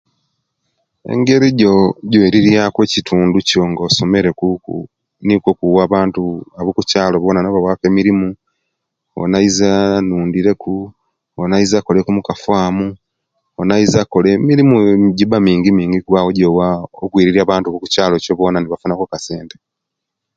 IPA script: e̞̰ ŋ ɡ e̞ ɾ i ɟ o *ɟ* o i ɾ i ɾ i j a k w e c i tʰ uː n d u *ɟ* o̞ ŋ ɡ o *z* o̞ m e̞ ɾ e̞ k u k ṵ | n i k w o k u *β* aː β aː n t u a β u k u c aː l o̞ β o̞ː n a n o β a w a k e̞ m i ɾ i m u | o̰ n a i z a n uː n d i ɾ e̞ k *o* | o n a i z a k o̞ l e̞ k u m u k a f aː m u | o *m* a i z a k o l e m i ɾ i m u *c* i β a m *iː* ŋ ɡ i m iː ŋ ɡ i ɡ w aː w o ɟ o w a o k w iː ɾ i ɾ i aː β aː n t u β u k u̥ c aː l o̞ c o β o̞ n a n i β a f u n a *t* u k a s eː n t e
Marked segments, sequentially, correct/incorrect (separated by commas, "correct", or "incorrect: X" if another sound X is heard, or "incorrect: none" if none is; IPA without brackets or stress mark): correct, incorrect: c, incorrect: s, incorrect: w, incorrect: u, incorrect: n, incorrect: ɟ, correct, incorrect: k